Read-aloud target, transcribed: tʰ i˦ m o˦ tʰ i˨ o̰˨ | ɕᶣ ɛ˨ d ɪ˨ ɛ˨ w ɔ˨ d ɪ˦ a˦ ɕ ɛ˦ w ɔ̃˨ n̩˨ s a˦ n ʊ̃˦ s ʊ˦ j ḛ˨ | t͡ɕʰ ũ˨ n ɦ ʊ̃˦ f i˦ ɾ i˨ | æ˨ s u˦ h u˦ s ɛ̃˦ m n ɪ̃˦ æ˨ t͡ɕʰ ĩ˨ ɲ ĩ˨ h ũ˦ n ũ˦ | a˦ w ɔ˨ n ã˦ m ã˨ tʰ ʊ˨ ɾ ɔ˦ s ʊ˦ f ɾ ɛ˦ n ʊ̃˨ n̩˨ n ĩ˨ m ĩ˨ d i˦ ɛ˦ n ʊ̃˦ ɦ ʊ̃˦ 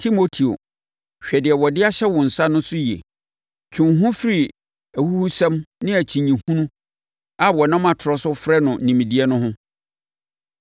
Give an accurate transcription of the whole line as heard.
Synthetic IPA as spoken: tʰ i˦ m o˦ tʰ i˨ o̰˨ | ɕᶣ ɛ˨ d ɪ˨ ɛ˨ w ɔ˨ d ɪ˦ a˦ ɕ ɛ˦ w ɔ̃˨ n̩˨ s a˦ n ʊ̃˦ s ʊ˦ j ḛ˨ | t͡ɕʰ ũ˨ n ɦ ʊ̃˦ f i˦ ɾ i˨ | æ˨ h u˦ h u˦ s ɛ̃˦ m n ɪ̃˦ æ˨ t͡ɕʰ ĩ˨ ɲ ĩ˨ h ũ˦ n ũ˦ | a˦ w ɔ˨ n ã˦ m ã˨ tʰ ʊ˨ ɾ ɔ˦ s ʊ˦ f ɾ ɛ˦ n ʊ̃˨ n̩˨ n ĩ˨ m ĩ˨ d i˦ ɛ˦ n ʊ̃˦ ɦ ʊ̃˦

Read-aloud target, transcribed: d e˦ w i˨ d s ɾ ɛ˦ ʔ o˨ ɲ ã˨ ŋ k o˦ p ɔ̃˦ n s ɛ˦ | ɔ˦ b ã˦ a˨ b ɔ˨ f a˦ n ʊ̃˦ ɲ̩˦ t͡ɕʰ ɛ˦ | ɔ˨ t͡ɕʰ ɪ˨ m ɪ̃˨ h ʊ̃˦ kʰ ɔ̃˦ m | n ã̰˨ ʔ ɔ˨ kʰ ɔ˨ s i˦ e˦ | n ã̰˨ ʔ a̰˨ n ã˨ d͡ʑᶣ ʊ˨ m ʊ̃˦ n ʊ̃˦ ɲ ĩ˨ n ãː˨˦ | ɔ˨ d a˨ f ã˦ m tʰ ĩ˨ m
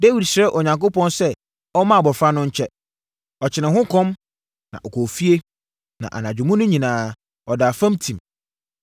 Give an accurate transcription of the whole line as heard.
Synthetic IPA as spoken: d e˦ w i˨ d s ɾ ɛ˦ ʔ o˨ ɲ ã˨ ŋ k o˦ p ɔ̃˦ n s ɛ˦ | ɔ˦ m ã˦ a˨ b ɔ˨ f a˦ n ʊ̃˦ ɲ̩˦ t͡ɕʰ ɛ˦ | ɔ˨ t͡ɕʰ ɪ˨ n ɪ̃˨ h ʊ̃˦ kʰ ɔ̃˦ m | n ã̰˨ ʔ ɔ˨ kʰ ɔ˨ f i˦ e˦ | n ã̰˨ ʔ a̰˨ n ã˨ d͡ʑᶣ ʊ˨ m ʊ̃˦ n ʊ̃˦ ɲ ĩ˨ n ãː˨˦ | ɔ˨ d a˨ f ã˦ m tʰ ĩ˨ m

